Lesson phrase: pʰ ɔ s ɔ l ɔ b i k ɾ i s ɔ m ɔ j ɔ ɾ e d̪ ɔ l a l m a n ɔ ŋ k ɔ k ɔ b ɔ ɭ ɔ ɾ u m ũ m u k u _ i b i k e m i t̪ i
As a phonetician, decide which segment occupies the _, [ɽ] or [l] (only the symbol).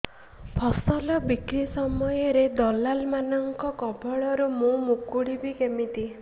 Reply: ɽ